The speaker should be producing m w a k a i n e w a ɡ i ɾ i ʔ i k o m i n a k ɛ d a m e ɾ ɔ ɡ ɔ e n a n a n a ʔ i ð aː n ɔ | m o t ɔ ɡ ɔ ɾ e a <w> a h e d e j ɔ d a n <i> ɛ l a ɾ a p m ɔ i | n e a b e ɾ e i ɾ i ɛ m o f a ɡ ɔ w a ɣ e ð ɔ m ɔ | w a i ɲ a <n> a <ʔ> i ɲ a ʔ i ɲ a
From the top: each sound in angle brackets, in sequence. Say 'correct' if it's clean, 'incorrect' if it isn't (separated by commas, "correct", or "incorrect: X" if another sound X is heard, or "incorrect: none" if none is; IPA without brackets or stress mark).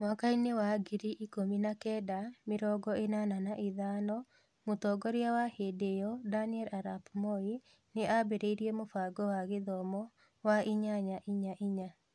correct, correct, incorrect: ɲ, correct